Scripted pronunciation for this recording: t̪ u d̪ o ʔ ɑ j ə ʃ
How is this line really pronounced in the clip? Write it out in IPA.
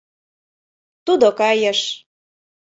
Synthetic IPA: t̪ u d̪ o k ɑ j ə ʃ